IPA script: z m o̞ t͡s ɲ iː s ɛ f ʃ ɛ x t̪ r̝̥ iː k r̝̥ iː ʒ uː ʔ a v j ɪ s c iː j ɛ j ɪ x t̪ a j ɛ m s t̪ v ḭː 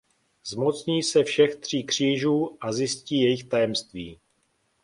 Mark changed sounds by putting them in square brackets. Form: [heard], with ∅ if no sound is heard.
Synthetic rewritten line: z m o̞ t͡s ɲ iː s ɛ f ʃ ɛ x t̪ r̝̥ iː k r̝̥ iː ʒ uː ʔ a [z] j ɪ s c iː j ɛ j ɪ x t̪ a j ɛ m s t̪ v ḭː